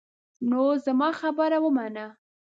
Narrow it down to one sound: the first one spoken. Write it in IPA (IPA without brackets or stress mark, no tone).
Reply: n